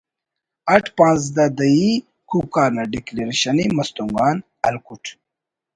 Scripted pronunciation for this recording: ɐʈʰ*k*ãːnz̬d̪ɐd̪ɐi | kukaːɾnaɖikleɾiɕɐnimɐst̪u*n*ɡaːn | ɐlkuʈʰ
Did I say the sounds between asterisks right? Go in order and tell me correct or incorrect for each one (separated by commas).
incorrect, incorrect